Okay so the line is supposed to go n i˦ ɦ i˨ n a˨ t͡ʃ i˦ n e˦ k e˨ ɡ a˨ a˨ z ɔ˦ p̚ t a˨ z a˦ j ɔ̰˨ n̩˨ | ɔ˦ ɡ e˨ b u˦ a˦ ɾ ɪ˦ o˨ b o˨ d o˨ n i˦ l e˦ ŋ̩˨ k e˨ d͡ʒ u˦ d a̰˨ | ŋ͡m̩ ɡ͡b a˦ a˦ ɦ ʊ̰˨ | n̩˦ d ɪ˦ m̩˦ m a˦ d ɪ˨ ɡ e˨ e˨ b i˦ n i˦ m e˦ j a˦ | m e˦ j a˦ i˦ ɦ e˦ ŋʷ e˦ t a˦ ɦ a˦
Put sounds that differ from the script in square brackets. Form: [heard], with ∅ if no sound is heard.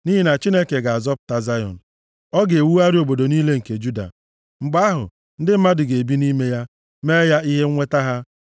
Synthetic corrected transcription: n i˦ ɦ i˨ n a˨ t͡ʃ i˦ n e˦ k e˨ ɡ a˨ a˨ z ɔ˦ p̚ t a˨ z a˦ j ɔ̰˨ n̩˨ | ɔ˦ ɡ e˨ [w] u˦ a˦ ɾ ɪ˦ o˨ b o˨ d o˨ n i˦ l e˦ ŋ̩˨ k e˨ d͡ʒ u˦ d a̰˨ | ŋ͡m̩ ɡ͡b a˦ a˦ ɦ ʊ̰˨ | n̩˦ d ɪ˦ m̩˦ m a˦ d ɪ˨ ɡ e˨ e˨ b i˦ n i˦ m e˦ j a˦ | m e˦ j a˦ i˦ ɦ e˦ ŋʷ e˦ t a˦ ɦ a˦